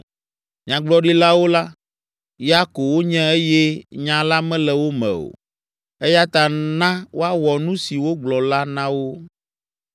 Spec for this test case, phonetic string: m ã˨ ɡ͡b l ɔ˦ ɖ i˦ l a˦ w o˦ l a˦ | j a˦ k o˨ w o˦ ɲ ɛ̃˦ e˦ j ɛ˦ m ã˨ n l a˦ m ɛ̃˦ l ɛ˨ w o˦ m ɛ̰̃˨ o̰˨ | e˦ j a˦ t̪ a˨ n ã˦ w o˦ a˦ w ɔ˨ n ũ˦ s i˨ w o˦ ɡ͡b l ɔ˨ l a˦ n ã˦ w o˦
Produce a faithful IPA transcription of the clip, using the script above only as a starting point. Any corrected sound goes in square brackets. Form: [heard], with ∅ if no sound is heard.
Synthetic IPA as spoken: [ɲ] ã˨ ɡ͡b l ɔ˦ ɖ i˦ l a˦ w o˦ l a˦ | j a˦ k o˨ w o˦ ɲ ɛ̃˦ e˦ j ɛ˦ [ɲ] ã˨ [∅] l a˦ m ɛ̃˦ l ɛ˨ w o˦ m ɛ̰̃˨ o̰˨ | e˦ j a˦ t̪ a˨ n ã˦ w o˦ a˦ w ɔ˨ n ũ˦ s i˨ w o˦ ɡ͡b l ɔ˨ l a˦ n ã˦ w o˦

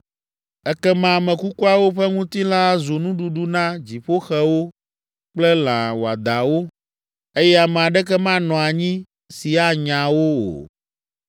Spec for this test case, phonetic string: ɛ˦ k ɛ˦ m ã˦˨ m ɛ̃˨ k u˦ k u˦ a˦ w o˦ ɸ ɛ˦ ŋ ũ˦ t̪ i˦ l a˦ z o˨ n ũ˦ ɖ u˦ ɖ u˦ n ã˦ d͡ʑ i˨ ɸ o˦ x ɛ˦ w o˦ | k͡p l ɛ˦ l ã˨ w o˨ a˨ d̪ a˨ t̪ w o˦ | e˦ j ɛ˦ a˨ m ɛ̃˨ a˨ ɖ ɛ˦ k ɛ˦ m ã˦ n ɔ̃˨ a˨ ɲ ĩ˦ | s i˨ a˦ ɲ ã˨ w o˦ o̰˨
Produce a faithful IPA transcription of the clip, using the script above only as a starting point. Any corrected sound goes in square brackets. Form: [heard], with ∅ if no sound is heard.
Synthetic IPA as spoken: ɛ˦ k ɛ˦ m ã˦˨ m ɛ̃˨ k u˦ k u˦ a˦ w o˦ ɸ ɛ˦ ŋ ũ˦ t̪ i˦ l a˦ z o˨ n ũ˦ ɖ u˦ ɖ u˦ n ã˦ d͡ʑ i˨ ɸ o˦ x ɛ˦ w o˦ | k͡p l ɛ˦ l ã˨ w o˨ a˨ d̪ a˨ [∅] w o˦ | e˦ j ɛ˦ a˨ m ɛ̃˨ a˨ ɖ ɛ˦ k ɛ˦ m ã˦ n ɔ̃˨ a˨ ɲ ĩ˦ | s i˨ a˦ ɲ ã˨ w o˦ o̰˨

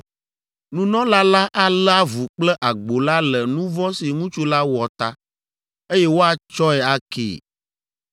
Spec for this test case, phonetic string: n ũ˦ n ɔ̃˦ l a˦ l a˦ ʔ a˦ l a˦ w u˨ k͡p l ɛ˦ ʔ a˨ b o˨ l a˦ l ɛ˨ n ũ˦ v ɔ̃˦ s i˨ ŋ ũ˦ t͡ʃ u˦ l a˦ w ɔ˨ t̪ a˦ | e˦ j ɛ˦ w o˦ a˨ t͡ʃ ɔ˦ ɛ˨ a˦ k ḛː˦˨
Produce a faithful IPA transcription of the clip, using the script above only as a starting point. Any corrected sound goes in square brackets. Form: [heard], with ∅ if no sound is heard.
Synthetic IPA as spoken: n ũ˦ n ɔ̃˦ l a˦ l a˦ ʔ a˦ l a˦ [v] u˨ k͡p l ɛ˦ ʔ a˨ [ɡ͡b] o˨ l a˦ l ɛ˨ n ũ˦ v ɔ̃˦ s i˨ ŋ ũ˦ t͡ʃ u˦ l a˦ w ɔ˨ t̪ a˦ | e˦ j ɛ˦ w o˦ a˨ t͡ʃ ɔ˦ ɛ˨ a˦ k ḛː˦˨

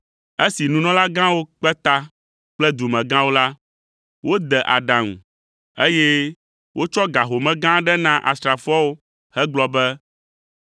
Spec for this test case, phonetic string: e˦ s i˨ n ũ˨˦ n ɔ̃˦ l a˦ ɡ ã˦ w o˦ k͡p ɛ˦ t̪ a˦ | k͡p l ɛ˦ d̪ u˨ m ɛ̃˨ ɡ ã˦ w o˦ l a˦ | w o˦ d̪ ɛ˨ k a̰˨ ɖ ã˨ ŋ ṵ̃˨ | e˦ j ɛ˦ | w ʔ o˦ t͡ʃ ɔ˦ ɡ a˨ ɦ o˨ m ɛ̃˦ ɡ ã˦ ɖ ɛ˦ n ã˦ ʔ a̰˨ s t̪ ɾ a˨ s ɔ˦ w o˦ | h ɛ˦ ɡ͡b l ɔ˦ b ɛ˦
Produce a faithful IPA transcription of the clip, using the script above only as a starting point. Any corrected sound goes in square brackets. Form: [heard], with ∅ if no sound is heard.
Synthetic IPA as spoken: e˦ s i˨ n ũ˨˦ n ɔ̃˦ l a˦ ɡ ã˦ w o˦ k͡p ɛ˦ t̪ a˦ | k͡p l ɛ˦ d̪ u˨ m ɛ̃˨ ɡ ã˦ w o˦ l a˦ | w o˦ d̪ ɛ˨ [ʔ] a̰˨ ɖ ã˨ ŋ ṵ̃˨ | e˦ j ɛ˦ | w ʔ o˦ t͡ʃ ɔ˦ ɡ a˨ ɦ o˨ m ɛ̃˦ ɡ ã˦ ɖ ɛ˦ n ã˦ ʔ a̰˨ s t̪ ɾ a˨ [f] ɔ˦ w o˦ | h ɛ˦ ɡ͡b l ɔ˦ b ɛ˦

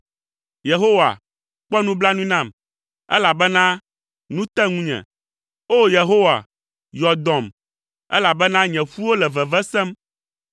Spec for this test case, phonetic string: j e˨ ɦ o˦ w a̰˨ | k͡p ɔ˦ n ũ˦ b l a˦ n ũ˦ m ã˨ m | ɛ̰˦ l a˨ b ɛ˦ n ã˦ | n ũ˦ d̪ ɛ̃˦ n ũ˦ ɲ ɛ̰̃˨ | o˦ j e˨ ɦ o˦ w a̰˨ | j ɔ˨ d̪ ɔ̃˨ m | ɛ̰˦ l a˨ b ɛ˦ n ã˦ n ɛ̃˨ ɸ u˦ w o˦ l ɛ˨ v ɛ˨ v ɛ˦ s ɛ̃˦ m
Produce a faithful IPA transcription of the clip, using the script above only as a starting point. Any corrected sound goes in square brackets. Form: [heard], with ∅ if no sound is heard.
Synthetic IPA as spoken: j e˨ ɦ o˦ w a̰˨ | k͡p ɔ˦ n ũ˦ b l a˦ n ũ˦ [n] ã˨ m | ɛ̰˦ l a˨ b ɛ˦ n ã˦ | n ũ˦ [t̪] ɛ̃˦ [ŋ] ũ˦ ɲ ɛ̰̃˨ | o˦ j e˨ ɦ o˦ w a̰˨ | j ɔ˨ d̪ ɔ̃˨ m | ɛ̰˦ l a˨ b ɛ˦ n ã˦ [ɲ] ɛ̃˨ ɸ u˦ w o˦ l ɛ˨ v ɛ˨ v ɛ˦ s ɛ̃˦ m

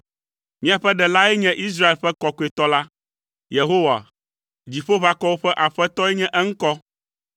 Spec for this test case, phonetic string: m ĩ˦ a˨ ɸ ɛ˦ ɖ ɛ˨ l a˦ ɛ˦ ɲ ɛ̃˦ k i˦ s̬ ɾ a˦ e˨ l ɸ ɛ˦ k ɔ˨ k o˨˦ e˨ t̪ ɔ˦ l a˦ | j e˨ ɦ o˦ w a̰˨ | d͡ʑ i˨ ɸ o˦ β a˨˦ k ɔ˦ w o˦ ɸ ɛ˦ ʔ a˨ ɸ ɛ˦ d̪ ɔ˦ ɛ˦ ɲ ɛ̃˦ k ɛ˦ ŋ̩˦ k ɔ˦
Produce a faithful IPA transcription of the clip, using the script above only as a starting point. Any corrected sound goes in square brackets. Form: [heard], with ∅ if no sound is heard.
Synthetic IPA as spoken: m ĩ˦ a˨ ɸ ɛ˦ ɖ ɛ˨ l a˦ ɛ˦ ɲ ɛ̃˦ [ʔ] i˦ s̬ ɾ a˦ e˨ l ɸ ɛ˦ k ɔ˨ k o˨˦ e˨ t̪ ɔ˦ l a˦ | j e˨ ɦ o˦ w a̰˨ | d͡ʑ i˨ ɸ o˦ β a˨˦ k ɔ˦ w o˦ ɸ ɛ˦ ʔ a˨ ɸ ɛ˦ [t̪] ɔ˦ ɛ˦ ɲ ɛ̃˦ [ʔ] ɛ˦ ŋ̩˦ k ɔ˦

